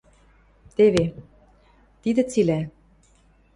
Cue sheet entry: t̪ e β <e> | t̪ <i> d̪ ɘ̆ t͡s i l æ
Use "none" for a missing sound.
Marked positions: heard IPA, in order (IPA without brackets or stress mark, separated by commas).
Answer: e, i